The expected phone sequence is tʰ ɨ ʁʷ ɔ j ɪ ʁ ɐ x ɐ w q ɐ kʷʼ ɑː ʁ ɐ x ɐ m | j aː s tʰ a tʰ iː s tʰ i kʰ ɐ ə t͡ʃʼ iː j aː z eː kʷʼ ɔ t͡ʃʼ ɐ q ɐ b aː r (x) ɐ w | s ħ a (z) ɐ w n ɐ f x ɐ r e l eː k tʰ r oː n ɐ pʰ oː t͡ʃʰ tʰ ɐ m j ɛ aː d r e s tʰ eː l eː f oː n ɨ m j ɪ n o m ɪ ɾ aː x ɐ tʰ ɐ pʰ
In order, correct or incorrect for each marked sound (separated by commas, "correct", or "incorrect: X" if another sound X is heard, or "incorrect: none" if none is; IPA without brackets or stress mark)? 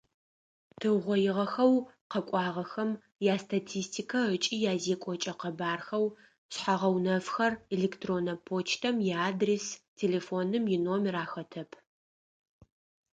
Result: correct, incorrect: ʁ